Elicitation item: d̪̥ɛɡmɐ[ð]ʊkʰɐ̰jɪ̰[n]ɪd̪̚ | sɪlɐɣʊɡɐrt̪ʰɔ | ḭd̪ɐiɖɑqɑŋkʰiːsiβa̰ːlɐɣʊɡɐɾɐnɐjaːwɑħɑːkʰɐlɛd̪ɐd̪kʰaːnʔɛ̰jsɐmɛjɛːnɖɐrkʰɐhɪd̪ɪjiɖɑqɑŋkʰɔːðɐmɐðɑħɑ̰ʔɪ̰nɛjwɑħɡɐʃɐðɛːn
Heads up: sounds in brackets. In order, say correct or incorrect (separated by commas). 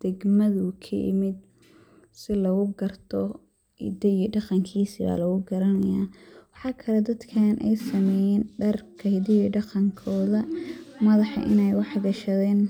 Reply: correct, incorrect